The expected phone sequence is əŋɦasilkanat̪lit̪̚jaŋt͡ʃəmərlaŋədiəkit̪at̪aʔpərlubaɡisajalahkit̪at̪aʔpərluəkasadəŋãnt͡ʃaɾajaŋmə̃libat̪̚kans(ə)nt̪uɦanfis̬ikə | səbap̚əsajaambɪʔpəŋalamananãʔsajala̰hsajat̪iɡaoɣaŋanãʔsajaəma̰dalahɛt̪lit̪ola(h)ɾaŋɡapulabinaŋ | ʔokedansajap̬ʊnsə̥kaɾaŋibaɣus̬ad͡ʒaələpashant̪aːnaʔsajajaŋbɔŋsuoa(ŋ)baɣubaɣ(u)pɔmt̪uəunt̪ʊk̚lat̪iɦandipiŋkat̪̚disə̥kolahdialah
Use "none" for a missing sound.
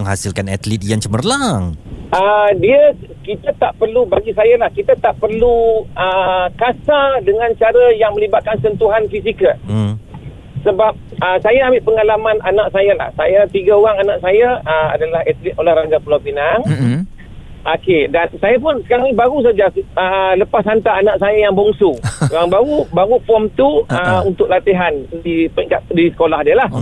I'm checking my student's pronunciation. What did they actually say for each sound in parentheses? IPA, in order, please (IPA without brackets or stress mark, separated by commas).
ə, h, ŋ, u